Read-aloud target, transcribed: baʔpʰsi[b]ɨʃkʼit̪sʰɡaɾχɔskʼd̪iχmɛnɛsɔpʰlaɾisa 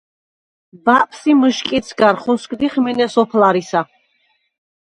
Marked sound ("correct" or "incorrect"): incorrect